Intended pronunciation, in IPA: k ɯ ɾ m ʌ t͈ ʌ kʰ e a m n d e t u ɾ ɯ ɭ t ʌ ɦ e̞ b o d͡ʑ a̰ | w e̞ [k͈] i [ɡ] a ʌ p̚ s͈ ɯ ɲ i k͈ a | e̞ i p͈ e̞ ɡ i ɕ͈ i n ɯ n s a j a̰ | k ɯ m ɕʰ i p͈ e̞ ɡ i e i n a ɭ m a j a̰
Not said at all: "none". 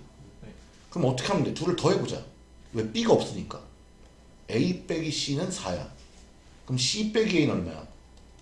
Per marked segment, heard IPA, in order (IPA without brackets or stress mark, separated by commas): p͈, ɡ